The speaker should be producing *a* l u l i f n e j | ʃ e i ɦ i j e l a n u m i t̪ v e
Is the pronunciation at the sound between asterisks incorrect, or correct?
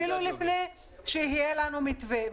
incorrect